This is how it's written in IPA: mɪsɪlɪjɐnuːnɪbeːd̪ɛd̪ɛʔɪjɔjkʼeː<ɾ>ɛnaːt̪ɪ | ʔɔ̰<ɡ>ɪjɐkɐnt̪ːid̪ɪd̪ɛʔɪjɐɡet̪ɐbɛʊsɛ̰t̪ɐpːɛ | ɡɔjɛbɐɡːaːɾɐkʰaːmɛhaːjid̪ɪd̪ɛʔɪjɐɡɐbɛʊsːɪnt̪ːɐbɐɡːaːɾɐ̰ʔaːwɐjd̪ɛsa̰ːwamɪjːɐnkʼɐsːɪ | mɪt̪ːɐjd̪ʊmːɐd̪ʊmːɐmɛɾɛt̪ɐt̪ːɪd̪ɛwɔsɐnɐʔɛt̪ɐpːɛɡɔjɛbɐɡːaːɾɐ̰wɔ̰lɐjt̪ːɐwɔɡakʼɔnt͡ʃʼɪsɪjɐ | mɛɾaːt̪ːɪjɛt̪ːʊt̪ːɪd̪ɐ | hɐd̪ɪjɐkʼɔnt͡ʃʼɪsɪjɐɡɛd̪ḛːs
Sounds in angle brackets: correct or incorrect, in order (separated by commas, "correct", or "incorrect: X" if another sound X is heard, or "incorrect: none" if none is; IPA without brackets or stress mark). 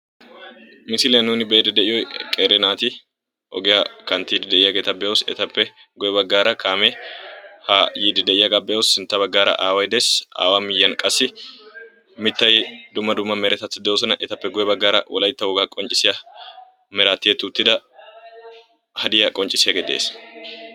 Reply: correct, correct